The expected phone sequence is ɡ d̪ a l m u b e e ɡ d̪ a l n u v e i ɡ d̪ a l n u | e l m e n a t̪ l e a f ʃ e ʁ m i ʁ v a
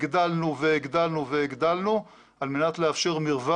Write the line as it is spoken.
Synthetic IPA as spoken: ɡ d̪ a l n u v e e ɡ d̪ a l n u v e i ɡ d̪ a l n u | a l m e n a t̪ l e a f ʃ e ʁ m i ʁ v a